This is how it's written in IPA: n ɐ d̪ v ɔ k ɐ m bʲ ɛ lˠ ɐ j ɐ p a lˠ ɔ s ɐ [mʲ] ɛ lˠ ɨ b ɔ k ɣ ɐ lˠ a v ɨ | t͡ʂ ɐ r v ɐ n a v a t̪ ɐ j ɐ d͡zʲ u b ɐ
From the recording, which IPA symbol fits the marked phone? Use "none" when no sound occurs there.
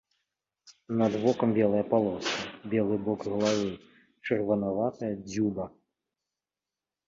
bʲ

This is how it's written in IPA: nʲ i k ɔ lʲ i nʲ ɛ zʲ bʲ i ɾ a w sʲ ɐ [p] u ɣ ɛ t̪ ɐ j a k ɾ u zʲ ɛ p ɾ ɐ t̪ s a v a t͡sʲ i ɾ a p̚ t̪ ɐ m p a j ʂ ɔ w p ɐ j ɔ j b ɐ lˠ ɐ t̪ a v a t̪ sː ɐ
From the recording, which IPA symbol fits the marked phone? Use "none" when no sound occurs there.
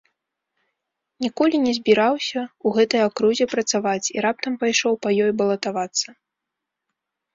none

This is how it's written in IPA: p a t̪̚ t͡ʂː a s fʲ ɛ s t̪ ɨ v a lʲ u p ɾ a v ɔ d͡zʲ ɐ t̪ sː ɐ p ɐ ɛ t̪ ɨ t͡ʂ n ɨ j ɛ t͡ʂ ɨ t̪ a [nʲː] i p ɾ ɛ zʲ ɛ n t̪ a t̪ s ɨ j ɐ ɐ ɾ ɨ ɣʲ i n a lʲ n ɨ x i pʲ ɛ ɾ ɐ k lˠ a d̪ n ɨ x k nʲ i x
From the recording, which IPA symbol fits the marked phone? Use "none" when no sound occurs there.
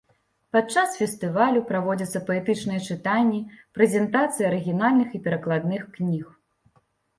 nʲː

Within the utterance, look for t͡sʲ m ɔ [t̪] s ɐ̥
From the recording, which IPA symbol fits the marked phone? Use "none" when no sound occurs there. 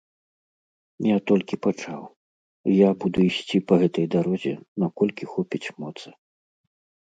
t̪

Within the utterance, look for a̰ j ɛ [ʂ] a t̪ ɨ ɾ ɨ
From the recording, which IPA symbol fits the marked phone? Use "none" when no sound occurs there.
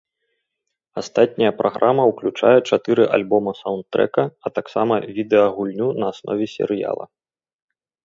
t͡ʂ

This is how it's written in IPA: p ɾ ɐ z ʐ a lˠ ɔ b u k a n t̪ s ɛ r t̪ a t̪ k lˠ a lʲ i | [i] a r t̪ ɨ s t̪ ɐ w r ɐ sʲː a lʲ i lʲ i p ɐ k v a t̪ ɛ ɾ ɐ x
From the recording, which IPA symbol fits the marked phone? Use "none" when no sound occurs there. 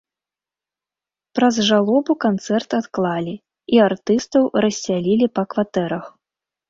i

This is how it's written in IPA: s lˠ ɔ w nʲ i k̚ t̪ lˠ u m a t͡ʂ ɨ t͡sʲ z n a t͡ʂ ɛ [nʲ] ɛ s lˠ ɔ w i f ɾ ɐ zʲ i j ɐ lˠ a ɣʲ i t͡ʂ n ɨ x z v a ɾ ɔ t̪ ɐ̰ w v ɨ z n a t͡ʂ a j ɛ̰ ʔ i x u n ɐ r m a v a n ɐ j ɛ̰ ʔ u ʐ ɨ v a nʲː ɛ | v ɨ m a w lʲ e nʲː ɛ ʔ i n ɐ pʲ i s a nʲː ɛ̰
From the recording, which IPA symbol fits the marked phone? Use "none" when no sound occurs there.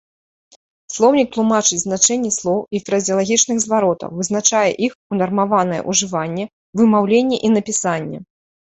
nʲː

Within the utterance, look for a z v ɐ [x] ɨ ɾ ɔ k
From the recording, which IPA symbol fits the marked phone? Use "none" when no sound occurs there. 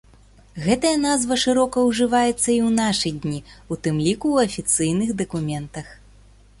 ʂ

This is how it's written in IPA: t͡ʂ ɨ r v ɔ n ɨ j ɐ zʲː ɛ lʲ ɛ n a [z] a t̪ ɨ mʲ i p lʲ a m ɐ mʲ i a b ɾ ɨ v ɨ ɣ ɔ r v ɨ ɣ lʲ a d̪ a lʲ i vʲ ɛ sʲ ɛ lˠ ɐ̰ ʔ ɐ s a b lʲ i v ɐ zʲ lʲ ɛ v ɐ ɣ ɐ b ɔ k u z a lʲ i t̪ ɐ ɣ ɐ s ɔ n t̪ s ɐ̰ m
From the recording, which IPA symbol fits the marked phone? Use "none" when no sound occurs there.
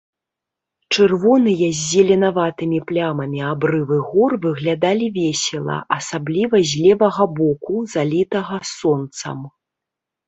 v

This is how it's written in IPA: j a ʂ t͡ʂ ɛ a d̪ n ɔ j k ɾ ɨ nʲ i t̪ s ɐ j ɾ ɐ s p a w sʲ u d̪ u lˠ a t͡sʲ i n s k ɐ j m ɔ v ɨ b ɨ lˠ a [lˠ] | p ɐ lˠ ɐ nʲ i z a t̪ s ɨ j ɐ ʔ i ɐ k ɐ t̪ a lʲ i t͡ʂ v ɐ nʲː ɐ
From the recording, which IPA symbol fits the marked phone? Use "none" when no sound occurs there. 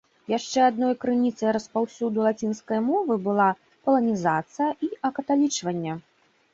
none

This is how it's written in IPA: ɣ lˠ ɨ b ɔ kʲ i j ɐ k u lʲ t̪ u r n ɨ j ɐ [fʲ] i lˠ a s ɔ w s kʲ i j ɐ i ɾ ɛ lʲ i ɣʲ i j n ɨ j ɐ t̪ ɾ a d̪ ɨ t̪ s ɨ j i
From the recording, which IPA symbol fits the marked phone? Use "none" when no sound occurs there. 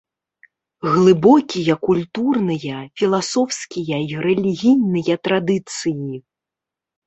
fʲ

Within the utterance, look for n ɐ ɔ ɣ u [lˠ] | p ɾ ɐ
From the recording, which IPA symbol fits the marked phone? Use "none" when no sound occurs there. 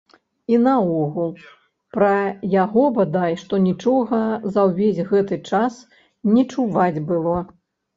lˠ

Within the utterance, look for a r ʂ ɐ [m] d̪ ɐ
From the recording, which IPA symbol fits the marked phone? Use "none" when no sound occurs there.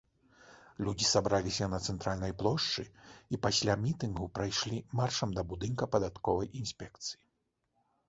m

